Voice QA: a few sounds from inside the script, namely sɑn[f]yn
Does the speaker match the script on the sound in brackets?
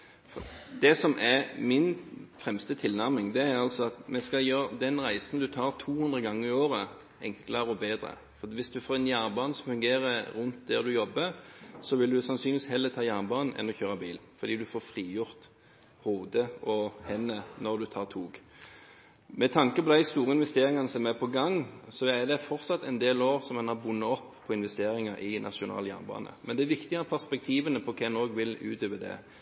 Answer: no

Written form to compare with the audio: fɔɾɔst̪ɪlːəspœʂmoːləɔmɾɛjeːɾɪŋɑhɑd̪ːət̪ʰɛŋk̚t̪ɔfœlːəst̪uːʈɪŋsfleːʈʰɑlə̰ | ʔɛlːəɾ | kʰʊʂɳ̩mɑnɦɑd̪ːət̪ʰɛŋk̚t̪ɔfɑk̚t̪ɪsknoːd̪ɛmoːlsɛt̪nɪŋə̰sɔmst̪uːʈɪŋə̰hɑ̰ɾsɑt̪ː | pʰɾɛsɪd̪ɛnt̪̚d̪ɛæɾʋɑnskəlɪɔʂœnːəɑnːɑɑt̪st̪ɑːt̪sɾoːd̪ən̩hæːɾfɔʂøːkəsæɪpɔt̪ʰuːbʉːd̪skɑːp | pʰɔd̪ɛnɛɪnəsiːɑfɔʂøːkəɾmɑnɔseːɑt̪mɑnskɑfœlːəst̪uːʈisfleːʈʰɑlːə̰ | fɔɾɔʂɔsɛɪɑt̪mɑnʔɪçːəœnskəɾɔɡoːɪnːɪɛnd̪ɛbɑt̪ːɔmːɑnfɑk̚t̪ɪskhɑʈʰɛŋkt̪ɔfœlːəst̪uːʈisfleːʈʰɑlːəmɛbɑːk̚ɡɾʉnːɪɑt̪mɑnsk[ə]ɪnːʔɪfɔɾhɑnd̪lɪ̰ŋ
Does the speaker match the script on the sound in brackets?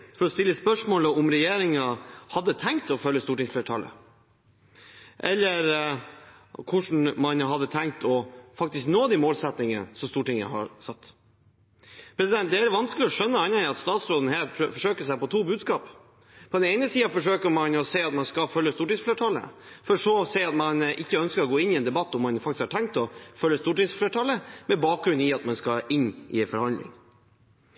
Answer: no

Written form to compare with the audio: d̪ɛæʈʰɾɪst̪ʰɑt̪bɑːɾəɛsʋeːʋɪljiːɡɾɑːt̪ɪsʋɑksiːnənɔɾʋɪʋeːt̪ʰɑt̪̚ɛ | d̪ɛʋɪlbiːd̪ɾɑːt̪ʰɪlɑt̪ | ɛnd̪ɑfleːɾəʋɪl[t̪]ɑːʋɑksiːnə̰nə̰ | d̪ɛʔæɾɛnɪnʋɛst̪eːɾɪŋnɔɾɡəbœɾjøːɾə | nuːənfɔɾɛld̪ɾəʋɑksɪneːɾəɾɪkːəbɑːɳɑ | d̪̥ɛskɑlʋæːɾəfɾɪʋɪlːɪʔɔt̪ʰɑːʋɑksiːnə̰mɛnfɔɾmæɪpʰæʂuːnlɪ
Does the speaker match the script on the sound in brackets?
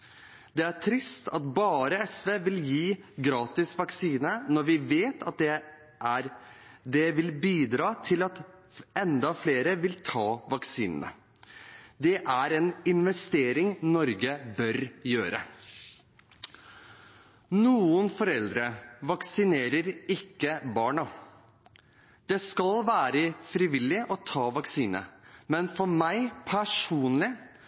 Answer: no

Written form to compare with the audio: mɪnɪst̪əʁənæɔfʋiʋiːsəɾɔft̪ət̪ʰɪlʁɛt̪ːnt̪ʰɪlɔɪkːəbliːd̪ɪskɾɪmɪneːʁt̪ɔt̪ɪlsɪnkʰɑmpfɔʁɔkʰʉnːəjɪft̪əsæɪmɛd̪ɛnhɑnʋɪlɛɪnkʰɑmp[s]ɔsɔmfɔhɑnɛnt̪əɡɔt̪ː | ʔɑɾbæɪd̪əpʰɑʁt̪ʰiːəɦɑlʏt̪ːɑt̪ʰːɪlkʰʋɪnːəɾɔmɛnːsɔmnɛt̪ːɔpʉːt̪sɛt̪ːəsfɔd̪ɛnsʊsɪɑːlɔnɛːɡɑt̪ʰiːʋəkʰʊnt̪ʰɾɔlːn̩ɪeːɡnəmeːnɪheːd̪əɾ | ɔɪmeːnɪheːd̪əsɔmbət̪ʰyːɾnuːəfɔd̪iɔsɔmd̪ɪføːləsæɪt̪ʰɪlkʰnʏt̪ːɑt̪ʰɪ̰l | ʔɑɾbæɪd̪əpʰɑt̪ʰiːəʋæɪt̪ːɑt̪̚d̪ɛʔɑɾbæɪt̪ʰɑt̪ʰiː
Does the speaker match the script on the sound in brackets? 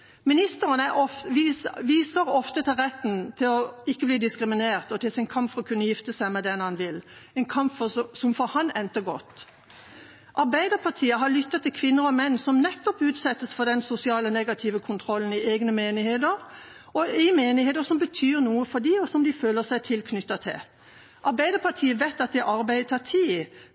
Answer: no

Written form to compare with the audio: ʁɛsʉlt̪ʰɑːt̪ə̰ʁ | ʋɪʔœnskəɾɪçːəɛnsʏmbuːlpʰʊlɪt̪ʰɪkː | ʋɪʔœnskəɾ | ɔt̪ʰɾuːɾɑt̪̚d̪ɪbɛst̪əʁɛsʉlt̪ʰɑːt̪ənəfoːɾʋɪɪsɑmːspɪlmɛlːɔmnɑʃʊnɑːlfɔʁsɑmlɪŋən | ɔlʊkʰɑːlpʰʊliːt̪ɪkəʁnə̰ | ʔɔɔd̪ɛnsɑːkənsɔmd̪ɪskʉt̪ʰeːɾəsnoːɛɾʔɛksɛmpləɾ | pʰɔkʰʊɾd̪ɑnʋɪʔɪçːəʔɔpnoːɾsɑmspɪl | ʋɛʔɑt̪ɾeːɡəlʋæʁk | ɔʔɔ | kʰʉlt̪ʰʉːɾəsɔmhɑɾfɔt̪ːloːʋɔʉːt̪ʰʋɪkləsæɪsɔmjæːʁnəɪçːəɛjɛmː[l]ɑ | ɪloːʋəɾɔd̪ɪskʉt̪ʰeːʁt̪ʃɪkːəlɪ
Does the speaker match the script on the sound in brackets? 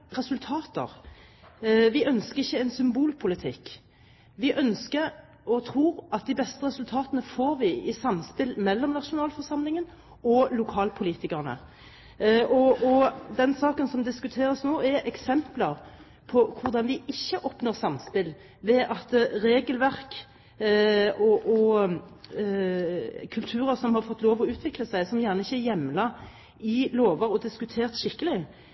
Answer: yes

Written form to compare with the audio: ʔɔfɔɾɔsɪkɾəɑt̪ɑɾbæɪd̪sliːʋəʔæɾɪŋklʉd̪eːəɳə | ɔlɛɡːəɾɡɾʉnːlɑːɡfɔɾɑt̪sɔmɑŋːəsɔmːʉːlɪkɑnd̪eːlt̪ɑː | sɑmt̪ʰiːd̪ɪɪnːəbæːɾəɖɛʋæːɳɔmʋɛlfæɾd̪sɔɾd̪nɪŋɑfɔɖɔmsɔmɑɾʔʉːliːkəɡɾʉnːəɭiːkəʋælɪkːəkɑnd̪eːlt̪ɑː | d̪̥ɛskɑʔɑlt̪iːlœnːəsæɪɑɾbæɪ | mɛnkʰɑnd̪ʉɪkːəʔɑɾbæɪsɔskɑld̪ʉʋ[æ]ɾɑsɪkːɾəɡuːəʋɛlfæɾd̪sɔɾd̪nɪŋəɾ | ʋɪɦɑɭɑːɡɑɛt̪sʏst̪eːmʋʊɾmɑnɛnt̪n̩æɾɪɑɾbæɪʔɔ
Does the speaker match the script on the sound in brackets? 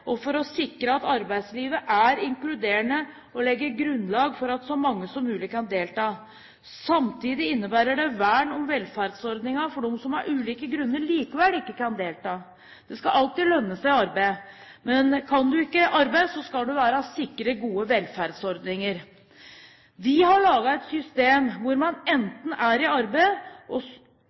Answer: no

